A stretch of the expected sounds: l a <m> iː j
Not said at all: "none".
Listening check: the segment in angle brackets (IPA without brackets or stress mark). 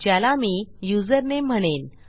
m